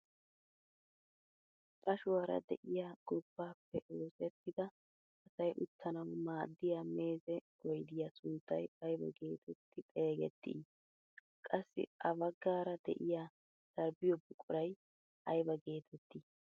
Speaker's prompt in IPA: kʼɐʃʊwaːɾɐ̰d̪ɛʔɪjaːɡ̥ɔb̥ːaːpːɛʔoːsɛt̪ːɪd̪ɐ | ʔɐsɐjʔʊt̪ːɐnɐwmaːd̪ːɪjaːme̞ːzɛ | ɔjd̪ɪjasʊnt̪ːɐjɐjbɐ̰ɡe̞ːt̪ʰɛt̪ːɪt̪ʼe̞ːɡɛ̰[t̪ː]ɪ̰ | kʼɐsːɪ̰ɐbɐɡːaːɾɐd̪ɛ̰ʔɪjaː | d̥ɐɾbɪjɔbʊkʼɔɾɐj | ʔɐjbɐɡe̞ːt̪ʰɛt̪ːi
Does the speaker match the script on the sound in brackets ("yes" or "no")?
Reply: yes